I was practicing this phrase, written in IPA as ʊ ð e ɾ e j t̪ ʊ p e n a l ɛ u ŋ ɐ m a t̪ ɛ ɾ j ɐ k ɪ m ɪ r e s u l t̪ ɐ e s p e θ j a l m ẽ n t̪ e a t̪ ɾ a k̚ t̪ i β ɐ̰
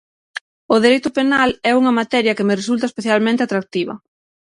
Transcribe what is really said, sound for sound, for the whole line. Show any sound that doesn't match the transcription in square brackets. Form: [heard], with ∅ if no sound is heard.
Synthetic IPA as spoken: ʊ ð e ɾ e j t̪ ʊ p e n a l ɛ u ŋ ɐ m a t̪ ɛ ɾ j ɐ k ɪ m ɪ r e s u l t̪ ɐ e s p e θ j a l m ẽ n t̪ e a t̪ ɾ a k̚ t̪ i β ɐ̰